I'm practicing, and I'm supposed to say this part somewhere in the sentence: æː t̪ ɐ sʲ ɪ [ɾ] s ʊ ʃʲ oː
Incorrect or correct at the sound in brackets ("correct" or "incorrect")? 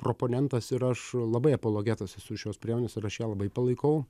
incorrect